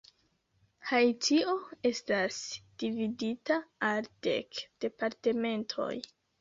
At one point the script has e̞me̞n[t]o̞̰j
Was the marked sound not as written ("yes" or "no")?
yes